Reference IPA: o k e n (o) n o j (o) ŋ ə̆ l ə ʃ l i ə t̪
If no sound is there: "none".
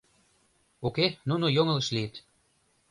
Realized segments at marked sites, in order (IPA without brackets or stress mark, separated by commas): u, o